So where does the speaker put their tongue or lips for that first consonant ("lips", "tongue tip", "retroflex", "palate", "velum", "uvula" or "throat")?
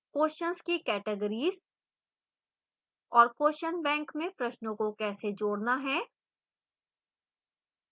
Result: velum